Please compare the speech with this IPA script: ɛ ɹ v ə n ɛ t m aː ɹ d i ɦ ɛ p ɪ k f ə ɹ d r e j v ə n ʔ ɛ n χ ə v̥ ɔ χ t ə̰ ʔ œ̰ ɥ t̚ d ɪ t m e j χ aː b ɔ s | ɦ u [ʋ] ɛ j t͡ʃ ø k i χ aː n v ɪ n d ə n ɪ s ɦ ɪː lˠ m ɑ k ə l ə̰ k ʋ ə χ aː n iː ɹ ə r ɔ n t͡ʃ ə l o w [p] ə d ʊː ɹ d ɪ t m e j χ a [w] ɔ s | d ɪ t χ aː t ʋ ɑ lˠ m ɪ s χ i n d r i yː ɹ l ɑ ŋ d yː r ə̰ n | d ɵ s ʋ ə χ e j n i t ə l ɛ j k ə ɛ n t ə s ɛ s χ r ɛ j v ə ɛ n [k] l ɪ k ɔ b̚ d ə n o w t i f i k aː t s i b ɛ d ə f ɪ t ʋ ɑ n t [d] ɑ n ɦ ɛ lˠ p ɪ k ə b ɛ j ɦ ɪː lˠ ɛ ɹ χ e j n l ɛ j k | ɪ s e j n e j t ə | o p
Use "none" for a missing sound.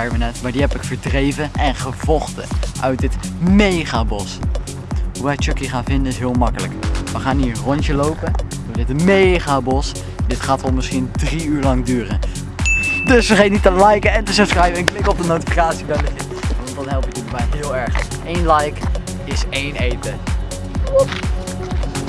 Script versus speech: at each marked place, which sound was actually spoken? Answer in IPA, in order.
ʋ, p, b, k, d

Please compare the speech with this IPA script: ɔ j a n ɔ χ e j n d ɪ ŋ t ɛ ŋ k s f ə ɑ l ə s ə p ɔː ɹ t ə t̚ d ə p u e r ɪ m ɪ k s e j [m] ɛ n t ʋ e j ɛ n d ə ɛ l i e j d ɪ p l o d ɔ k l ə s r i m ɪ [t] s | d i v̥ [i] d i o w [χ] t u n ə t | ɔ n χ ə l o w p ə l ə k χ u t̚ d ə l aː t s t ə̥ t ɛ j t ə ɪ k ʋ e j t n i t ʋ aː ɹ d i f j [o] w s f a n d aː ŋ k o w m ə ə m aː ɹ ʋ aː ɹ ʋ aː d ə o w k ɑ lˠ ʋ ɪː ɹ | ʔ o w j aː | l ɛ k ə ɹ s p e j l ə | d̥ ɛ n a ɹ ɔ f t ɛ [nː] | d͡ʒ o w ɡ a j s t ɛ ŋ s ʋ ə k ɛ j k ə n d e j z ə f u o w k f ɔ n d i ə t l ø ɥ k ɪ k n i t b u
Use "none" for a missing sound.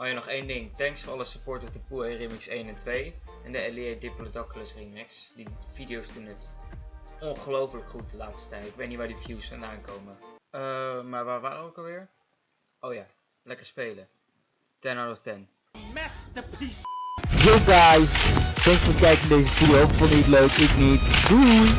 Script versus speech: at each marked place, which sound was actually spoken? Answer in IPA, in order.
n, k, i, s, u, n

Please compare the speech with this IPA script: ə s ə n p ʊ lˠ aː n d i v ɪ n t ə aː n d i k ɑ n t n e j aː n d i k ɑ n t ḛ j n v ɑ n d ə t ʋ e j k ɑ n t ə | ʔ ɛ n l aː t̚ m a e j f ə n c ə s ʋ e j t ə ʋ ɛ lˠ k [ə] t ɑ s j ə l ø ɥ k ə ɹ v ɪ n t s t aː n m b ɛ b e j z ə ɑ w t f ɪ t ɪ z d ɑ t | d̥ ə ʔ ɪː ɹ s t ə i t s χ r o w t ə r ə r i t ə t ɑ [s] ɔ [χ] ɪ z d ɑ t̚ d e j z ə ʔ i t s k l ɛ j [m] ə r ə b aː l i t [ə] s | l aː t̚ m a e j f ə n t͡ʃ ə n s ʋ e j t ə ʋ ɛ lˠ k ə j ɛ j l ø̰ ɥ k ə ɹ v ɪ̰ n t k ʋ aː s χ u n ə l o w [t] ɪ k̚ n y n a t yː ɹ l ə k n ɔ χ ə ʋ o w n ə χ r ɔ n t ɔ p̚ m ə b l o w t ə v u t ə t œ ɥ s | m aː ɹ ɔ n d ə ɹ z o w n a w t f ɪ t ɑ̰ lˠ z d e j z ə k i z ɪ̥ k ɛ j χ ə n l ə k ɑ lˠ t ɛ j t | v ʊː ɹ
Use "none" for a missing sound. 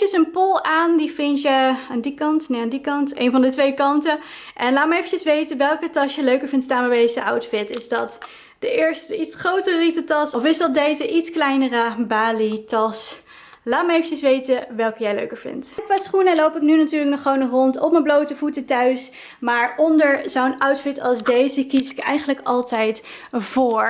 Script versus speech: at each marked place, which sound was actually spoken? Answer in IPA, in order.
ə, s, f, n, ɑ, p

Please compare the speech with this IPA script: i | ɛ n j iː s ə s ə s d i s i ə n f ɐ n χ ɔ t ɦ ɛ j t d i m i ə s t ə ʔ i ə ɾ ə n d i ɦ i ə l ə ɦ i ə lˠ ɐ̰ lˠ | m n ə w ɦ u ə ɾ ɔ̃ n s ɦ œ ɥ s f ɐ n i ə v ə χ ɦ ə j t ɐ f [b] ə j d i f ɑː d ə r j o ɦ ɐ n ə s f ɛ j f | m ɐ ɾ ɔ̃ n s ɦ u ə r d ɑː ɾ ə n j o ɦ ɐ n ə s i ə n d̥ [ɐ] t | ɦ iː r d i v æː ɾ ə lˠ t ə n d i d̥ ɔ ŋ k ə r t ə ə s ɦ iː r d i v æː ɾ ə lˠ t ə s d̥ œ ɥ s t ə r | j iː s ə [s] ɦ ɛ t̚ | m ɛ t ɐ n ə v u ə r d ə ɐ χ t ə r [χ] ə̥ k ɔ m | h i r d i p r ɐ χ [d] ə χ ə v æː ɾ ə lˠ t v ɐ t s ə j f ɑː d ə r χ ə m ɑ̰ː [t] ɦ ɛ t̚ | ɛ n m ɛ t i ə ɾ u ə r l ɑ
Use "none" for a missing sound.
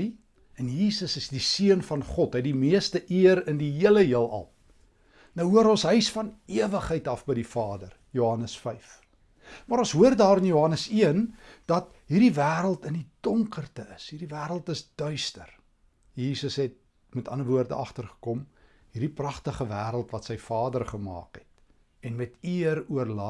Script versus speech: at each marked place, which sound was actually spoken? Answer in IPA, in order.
b, ɐ, s, χ, t, k

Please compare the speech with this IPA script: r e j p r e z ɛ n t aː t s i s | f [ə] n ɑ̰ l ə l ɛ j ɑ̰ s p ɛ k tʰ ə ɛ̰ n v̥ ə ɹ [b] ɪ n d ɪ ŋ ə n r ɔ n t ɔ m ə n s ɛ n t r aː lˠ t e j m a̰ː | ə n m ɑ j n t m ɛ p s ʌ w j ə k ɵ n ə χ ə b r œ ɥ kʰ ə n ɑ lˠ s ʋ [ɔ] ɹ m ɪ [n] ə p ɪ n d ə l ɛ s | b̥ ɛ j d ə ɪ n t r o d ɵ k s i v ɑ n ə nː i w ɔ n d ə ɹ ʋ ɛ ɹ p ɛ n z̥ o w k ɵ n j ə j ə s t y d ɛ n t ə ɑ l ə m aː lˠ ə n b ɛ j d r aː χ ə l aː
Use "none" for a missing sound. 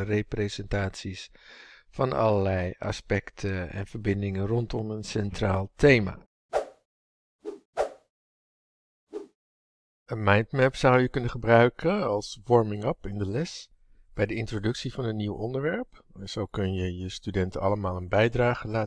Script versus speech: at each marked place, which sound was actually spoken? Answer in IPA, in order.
ɑ, b, ɔ, ŋ

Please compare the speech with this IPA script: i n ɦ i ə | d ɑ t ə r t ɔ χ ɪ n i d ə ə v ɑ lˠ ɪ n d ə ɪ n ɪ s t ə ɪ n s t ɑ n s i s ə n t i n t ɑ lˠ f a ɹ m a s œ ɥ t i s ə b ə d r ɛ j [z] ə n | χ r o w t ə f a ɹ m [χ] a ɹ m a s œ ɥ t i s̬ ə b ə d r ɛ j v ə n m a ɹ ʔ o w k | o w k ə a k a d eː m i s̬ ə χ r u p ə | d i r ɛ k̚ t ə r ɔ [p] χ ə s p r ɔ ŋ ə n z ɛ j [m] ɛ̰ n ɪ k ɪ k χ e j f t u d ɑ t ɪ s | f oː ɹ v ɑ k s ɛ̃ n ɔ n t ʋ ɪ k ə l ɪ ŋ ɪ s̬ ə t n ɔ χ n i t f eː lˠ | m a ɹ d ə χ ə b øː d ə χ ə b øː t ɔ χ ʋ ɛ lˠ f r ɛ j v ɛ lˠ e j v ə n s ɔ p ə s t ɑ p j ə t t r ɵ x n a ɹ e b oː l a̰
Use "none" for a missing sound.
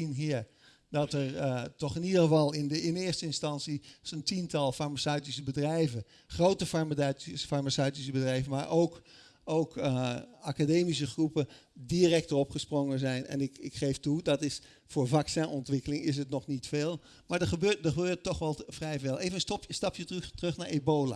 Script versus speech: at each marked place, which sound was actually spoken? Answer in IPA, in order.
v, f, p, n

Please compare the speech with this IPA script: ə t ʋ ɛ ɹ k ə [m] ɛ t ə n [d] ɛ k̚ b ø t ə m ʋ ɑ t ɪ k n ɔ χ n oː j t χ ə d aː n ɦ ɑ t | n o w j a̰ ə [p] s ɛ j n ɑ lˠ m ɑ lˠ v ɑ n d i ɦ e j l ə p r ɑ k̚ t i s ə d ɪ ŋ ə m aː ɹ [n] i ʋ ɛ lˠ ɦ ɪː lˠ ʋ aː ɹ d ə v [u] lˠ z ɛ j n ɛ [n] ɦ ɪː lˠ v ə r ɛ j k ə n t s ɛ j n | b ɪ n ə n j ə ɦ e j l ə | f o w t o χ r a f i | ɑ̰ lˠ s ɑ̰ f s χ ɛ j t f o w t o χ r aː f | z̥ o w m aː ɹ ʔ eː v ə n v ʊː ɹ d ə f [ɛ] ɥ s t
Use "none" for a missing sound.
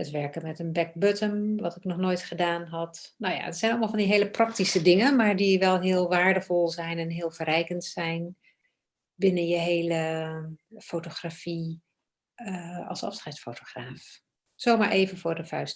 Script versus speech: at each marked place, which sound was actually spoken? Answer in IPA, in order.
m, b, t, d, ɔ, n, œ

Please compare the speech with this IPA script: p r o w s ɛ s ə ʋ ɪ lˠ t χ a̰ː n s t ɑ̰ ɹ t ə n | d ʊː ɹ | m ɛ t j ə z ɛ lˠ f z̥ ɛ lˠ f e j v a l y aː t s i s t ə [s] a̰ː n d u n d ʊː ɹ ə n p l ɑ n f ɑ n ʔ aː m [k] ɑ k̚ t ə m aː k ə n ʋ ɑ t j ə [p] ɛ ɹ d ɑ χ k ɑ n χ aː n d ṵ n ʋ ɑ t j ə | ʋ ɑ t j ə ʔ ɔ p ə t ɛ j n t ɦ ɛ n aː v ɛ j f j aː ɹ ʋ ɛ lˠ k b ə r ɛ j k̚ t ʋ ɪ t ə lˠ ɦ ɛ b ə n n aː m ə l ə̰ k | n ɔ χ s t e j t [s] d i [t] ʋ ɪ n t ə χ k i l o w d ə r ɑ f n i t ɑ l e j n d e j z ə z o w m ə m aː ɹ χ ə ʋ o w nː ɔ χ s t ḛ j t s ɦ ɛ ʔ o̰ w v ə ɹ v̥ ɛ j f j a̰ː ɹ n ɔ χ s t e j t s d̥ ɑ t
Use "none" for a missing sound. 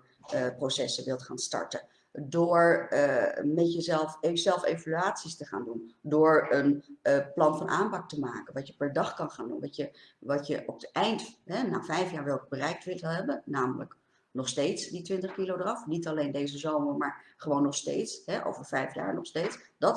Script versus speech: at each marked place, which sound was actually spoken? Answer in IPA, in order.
χ, p, p, s, t

